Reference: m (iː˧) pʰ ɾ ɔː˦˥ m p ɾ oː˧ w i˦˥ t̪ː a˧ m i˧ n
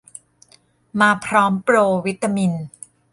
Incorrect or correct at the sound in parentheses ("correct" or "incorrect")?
incorrect